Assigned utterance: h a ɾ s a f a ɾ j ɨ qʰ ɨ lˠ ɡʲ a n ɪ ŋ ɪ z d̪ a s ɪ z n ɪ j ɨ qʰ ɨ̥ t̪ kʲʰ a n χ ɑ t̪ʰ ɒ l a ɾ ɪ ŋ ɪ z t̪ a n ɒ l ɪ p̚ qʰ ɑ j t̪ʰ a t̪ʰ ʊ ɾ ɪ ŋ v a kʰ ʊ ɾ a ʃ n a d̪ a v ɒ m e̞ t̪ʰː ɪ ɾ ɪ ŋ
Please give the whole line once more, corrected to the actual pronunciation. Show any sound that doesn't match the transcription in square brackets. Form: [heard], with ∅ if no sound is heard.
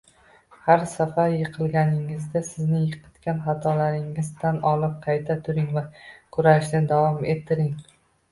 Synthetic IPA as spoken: h a ɾ s a f a ɾ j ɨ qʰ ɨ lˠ ɡʲ a n ɪ ŋ ɪ z d̪ a s ɪ z n ɪ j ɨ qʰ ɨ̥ t̪ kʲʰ a n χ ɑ t̪ʰ ɒ l a ɾ ɪ ŋ ɪ z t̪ a n ɒ l ɪ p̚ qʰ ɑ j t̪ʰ a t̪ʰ ʊ ɾ ɪ ŋ v a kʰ ʊ ɾ a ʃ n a d̪ a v ɒ m e̞ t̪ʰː ɪ ɾ ɪ ŋ